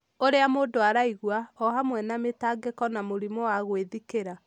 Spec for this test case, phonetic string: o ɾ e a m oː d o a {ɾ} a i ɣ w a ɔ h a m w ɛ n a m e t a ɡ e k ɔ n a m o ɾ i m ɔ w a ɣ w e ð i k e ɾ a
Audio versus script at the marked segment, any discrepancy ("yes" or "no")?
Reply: no